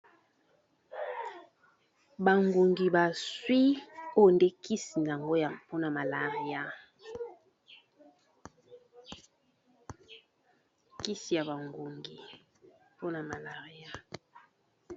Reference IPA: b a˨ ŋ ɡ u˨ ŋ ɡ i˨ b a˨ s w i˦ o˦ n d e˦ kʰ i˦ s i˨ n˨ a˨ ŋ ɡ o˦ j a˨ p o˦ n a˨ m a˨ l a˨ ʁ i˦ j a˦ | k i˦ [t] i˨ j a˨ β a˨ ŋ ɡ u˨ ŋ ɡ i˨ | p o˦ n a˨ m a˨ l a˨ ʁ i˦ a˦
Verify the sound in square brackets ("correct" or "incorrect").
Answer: incorrect